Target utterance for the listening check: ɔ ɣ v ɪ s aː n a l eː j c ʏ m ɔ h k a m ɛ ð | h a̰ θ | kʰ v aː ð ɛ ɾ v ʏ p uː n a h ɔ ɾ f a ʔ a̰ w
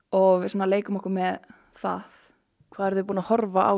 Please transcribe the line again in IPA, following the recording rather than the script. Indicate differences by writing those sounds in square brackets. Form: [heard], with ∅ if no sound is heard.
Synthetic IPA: ɔ ɣ v ɪ s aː n a l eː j [k] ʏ m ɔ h k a m ɛ ð | [θ] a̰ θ | kʰ v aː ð ɛ ɾ [ð] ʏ p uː n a h ɔ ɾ [v] a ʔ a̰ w